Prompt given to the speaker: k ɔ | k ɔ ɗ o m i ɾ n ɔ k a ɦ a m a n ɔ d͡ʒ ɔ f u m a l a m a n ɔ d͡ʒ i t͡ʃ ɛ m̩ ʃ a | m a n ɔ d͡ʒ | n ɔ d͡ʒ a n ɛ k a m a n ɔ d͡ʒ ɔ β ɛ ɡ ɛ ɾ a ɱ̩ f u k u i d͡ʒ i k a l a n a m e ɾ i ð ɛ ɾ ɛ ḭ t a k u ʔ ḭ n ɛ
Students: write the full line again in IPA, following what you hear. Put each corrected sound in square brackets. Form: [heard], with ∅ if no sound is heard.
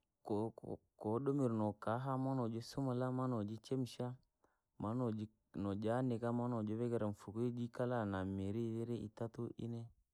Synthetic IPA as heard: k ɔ | k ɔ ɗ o m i ɾ n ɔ k a ɦ a m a n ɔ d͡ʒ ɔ [s] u m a l a m a n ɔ d͡ʒ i t͡ʃ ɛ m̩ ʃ a | m a n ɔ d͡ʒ | n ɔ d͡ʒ a n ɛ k a m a n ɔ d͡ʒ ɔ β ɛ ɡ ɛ ɾ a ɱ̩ f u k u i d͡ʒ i k a l a n a m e ɾ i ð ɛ ɾ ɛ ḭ t a [t] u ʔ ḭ n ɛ

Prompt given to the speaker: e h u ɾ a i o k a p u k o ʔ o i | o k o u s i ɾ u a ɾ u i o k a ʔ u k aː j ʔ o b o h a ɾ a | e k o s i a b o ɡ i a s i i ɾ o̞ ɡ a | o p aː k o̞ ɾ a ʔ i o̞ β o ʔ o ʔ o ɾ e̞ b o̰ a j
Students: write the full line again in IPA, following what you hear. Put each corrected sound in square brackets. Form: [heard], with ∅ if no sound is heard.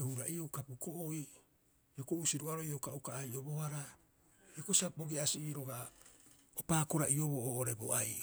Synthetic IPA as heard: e h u ɾ a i o k a p u k o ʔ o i | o k o u s i ɾ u a ɾ [o] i o k a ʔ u k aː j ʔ o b o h a ɾ a | e k o s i a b o ɡ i a s i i ɾ o̞ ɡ a | o p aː k o̞ ɾ a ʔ i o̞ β o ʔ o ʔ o ɾ e̞ b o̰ a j

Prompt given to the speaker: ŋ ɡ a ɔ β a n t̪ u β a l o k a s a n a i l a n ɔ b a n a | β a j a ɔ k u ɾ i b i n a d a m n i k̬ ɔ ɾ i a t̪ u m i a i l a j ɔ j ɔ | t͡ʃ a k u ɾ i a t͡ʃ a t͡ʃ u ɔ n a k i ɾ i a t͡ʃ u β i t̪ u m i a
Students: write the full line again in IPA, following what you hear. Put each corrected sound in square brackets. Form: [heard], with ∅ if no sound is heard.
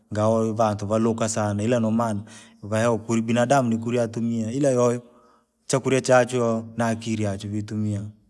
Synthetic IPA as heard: ŋ ɡ a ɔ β a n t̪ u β a l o k a s a n a i l a n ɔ [m] a n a | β a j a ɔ k u ɾ i b i n a d a m n i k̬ [u] ɾ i a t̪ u m i a i l a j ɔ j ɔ | t͡ʃ a k u ɾ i a t͡ʃ a t͡ʃ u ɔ n a k i ɾ i a t͡ʃ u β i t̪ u m i a

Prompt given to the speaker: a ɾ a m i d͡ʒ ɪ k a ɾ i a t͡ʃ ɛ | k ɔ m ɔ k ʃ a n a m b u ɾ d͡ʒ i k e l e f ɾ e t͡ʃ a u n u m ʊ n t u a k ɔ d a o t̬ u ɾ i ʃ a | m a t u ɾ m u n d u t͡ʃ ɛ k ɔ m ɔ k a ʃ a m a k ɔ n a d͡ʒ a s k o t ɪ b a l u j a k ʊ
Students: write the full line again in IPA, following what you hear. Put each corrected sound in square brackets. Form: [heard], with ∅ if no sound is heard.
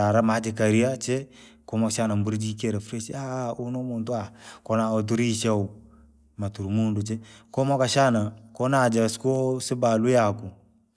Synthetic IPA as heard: a ɾ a m [a] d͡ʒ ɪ k a ɾ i a t͡ʃ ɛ | k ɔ m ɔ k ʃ a n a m b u ɾ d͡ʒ i k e [ɾ] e f ɾ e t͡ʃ a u n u m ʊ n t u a k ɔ [n] a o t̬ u ɾ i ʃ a | m a t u ɾ m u n d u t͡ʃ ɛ k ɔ m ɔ k a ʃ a [n] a k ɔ n a d͡ʒ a s k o [s] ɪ b a l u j a k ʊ

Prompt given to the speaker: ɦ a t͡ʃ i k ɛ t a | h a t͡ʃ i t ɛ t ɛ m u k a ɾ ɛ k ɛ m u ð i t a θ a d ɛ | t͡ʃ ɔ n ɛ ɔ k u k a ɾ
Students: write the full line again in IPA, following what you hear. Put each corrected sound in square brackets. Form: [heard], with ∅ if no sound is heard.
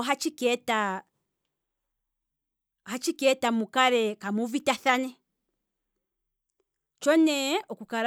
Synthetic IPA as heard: ɦ a t͡ʃ i k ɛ t a | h a t͡ʃ i [k] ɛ t [a] m u k a ɾ ɛ k [a] m u [v] i t a θ a [n] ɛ | t͡ʃ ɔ n ɛ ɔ k u k a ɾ

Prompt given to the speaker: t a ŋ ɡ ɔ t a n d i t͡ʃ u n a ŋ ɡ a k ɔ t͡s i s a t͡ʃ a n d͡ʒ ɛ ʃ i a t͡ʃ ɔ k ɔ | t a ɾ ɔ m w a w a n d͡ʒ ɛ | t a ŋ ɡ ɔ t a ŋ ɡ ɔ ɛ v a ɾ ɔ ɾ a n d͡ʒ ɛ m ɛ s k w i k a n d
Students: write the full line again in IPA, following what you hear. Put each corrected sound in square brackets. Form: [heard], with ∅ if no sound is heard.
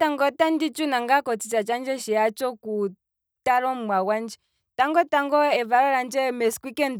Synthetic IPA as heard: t a ŋ ɡ ɔ t a n d i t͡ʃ u n a ŋ ɡ a k ɔ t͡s i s a t͡ʃ a n d͡ʒ ɛ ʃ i a t͡ʃ ɔ k [u] | t a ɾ ɔ m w a w a n d͡ʒ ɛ | t a ŋ ɡ ɔ t a ŋ ɡ ɔ ɛ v a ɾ ɔ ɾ a n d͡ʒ ɛ m ɛ s k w i k [ɛ] n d

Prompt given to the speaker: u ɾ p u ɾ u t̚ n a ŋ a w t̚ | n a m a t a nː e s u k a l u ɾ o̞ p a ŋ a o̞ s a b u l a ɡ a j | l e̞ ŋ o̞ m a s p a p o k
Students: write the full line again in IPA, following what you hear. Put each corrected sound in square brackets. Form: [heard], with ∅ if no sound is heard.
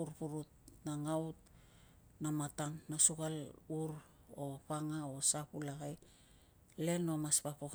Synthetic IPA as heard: u ɾ p u ɾ u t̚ n a ŋ a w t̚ | n a m a t a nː [a] s u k a l u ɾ o̞ p a ŋ a o̞ s a [p] u l a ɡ a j | l e̞ [n] o̞ m a s p a p o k

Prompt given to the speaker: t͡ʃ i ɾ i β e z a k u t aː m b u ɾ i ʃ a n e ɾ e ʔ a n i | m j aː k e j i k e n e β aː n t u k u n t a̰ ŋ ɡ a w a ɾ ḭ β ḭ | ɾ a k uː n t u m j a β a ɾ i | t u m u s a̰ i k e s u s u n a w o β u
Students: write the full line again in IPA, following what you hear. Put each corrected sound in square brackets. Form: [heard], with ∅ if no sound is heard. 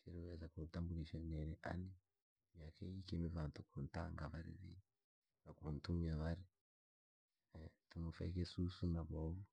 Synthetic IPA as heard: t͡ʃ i ɾ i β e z a k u t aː m b u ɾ i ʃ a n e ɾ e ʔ a n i | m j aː k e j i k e [m] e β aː n t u k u n t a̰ ŋ ɡ a [β] a ɾ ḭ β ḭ | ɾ a k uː n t u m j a β a ɾ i | t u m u [f] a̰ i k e s u s u n a [β] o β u

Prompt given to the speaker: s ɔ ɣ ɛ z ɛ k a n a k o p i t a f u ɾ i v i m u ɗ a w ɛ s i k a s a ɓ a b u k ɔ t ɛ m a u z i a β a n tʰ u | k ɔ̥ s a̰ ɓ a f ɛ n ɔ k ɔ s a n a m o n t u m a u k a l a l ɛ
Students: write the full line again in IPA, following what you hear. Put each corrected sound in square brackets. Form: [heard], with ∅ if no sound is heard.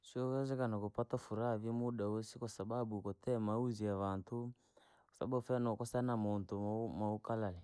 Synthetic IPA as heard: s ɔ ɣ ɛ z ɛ k a n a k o p [a] t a f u ɾ [a] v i m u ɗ a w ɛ s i k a s a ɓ a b u k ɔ t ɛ m a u z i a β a n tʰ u | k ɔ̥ s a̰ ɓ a f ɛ n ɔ k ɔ s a n a m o n t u m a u k a l a l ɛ

